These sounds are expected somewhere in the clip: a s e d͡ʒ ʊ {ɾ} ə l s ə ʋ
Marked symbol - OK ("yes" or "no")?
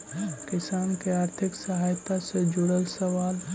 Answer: no